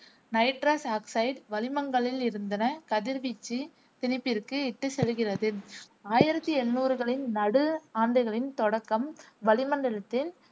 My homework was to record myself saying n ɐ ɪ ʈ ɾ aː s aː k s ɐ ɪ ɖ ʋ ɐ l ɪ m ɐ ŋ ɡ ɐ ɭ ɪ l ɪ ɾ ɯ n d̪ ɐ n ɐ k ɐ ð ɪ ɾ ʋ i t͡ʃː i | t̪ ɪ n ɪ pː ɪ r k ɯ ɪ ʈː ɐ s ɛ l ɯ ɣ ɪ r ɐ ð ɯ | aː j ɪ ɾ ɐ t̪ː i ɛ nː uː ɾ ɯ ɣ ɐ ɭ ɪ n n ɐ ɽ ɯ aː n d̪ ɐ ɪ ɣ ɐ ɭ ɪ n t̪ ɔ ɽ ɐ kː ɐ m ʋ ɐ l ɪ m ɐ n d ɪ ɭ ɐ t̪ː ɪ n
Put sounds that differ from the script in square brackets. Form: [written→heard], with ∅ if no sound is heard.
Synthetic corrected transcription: n ɐ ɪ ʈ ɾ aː s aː k s ɐ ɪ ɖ ʋ ɐ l ɪ m ɐ ŋ ɡ ɐ ɭ ɪ l ɪ ɾ ɯ n d̪ ɐ n ɐ k ɐ ð ɪ ɾ ʋ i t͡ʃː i | t̪ ɪ n ɪ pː ɪ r k ɯ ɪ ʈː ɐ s ɛ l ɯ ɣ ɪ r ɐ ð ɯ | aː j ɪ ɾ ɐ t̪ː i ɛ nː uː ɾ ɯ ɣ ɐ ɭ ɪ n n ɐ ɽ ɯ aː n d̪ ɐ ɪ ɣ ɐ ɭ ɪ n t̪ ɔ ɽ ɐ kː ɐ m ʋ ɐ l ɪ m ɐ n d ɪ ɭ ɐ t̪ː ɪ n